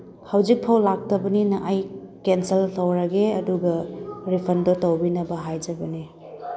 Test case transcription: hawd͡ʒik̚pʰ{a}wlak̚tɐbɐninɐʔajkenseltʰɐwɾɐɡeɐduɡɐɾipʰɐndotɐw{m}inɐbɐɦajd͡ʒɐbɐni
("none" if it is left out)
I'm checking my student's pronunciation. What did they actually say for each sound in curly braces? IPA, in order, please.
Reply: a, b

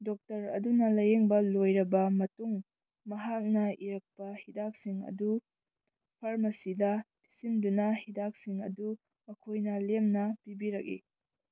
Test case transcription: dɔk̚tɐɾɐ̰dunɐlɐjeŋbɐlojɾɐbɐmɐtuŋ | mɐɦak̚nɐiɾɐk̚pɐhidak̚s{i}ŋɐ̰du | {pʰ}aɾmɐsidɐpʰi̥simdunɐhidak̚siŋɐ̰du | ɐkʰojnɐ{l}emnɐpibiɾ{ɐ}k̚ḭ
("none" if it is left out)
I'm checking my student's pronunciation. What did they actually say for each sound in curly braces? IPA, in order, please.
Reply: i, pʰ, l, ɐ

